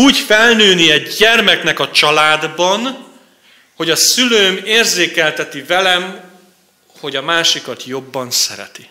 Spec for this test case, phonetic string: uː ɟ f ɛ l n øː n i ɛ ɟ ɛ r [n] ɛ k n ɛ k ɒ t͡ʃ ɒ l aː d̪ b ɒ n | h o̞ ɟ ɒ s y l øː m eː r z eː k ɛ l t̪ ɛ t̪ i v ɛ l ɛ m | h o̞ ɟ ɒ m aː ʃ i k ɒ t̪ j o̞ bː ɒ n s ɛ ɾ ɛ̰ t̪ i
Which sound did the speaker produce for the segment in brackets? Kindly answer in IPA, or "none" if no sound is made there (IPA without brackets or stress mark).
m